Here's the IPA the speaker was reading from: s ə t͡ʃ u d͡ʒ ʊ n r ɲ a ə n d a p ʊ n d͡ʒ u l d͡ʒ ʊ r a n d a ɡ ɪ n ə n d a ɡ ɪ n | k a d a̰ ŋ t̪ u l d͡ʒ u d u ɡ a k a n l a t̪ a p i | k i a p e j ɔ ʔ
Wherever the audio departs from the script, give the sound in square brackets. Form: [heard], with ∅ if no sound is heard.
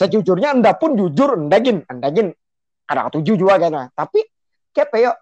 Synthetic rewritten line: s ə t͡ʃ u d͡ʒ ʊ [∅] r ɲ a ə n d a p ʊ n d͡ʒ u [∅] d͡ʒ ʊ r [ə] n d a ɡ ɪ n ə n d a ɡ ɪ n | k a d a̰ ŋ t̪ u [∅] d͡ʒ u [d͡ʒ] u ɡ a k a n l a t̪ a p i | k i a p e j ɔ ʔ